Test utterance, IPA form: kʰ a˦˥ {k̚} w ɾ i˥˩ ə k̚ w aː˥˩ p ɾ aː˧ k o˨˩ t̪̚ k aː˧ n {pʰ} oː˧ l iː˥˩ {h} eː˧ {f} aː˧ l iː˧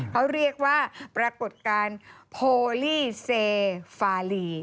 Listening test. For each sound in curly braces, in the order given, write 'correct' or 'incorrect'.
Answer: incorrect: none, correct, incorrect: s, correct

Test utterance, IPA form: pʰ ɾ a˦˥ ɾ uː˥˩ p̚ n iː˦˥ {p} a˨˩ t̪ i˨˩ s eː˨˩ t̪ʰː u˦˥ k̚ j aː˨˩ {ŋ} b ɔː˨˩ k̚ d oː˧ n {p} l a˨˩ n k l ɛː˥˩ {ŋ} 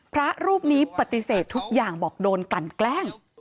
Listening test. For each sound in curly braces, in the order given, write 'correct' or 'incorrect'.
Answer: correct, correct, incorrect: k, correct

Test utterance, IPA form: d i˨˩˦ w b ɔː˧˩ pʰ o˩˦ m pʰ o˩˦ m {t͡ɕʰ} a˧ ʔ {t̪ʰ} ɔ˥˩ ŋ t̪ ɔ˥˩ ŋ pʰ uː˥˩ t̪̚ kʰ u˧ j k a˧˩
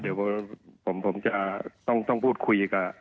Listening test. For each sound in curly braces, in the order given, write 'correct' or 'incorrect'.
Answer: incorrect: t͡ɕ, incorrect: t̪

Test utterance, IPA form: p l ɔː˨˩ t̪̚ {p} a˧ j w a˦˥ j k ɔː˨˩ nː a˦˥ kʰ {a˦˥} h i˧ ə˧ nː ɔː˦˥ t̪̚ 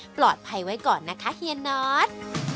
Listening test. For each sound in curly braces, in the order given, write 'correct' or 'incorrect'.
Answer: incorrect: pʰ, correct

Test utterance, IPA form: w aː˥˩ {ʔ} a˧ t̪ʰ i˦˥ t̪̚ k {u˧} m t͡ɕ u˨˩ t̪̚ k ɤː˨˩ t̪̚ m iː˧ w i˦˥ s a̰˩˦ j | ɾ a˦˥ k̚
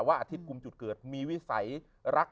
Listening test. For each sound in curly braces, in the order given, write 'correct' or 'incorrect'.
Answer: correct, correct

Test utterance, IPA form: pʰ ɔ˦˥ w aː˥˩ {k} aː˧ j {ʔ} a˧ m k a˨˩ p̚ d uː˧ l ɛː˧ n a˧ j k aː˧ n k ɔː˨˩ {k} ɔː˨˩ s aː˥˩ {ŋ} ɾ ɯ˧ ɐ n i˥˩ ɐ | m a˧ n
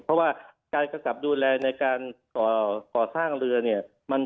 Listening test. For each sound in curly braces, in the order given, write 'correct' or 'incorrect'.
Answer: correct, incorrect: k, correct, correct

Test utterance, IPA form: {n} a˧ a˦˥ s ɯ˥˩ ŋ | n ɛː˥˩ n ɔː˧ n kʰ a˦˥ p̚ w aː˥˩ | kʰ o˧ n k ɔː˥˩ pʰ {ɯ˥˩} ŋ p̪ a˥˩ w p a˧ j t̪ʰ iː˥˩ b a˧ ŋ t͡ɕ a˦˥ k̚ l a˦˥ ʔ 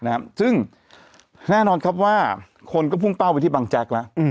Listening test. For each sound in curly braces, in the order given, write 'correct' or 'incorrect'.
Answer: correct, incorrect: u˥˩

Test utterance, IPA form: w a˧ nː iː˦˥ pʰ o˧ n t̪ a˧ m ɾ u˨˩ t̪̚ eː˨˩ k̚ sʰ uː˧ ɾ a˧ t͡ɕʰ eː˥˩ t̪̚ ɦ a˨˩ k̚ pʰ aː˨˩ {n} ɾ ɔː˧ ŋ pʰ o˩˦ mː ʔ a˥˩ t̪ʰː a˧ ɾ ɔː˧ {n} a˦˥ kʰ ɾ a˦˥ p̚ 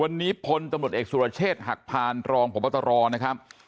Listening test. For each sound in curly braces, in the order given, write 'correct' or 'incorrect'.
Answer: correct, correct

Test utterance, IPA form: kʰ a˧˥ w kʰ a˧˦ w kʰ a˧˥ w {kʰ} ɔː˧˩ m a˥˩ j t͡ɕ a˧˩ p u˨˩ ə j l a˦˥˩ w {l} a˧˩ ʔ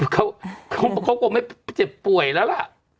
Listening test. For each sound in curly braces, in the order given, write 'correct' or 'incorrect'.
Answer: incorrect: k, correct

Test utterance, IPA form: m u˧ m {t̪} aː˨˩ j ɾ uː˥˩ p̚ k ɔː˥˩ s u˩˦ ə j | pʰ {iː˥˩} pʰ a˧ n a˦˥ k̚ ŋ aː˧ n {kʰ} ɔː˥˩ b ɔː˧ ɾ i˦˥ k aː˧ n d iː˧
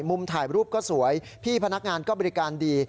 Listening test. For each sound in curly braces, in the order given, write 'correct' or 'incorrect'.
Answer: incorrect: t̪ʰ, correct, incorrect: k

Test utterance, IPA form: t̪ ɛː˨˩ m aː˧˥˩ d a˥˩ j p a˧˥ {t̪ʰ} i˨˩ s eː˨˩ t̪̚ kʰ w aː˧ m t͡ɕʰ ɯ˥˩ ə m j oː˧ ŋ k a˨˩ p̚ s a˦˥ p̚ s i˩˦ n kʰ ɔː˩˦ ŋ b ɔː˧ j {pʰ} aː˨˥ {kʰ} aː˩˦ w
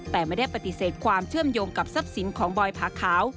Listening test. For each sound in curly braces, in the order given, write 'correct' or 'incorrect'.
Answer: incorrect: t̪, correct, correct

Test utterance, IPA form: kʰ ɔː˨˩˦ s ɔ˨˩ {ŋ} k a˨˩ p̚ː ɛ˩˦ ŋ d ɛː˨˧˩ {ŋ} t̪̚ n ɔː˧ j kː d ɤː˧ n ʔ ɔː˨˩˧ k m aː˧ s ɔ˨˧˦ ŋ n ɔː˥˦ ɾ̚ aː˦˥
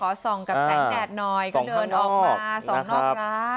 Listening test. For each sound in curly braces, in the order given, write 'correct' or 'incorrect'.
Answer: correct, incorrect: none

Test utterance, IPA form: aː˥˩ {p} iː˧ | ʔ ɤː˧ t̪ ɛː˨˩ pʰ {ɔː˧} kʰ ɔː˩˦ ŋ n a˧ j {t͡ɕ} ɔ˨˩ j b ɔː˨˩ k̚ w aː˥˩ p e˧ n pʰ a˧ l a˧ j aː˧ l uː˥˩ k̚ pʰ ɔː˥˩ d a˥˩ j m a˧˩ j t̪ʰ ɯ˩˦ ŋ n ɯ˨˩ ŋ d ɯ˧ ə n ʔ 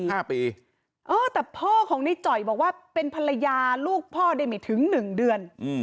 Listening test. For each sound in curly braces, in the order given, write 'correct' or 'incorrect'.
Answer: correct, incorrect: ɔː˥˩, correct

